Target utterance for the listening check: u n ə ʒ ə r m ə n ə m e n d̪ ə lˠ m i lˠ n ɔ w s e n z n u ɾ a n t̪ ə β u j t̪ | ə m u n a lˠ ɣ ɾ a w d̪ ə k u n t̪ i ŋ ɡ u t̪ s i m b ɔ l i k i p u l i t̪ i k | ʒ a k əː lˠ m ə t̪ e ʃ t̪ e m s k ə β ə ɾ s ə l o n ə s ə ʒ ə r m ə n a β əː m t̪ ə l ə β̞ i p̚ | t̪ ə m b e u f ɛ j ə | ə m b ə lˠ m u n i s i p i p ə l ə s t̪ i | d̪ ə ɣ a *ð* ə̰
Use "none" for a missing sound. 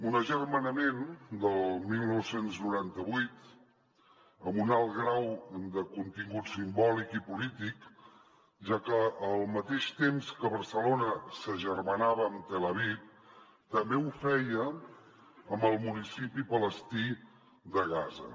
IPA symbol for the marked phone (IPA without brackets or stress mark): z